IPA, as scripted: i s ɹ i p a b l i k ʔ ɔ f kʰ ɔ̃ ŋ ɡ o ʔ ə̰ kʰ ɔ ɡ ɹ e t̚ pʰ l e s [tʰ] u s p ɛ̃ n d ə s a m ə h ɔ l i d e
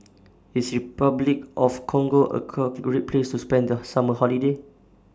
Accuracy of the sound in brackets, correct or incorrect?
incorrect: t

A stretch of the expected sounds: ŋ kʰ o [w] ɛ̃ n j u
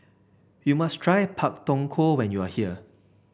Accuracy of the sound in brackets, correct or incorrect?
correct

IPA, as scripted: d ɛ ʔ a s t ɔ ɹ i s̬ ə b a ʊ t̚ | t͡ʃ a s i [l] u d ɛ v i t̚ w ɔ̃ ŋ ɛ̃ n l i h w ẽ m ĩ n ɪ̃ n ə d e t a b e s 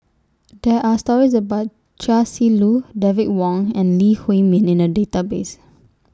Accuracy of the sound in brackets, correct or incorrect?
correct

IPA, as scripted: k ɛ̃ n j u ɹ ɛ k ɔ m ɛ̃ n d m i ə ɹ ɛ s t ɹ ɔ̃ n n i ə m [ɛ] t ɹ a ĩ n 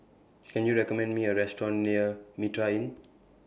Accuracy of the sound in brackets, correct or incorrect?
incorrect: i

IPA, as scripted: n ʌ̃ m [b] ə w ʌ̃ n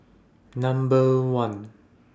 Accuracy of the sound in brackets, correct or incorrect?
correct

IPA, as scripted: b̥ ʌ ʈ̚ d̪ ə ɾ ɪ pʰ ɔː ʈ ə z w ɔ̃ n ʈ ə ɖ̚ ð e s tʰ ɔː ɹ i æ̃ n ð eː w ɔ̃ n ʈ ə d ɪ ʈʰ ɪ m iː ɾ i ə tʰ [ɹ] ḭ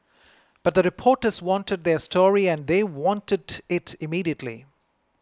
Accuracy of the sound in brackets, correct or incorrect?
incorrect: l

